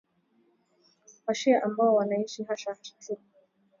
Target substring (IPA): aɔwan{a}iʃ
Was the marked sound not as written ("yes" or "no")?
no